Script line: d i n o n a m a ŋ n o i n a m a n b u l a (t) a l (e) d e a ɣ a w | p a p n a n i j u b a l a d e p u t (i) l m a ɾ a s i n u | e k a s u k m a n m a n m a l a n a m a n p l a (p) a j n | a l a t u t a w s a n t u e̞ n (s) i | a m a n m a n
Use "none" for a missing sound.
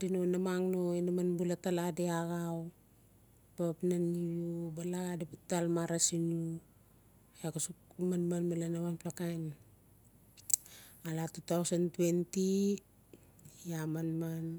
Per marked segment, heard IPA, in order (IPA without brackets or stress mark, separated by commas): t, a, a, k, t